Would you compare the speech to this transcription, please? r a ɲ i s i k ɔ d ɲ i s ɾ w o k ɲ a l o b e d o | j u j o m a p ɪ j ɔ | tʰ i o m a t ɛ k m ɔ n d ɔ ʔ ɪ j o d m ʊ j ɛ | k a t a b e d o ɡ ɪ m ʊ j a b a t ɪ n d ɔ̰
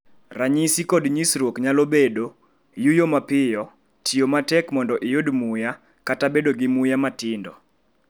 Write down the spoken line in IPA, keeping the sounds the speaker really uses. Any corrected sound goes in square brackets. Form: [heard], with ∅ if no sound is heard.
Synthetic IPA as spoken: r a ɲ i s i k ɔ d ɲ i s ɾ w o k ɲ a l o b e d o | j u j o m a p ɪ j ɔ | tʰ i o m a t ɛ k m ɔ n d ɔ ʔ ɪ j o d m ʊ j [a] | k a t a b e d o ɡ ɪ m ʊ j a [m] a t ɪ n d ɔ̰